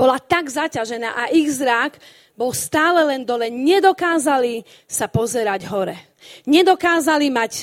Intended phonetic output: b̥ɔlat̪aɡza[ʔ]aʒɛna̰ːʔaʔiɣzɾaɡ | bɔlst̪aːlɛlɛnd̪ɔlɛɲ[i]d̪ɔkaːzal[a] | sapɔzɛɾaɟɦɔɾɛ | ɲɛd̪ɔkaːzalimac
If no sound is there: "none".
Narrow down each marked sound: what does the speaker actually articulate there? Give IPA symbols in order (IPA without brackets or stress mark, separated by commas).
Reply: c, ɛ, i